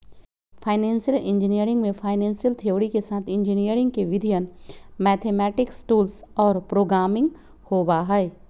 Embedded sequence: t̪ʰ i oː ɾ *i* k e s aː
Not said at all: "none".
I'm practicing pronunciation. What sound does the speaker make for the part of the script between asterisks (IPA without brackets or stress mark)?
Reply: i